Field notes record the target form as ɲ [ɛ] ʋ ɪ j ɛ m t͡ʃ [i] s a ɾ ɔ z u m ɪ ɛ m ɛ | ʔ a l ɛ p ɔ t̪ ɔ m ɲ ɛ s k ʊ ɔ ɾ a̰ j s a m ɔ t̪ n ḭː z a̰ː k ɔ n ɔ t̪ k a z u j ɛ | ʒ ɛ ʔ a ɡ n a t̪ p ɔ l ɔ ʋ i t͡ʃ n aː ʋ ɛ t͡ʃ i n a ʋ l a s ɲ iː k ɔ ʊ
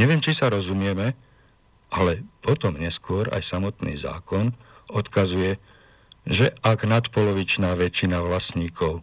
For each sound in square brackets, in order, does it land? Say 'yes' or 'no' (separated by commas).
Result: yes, yes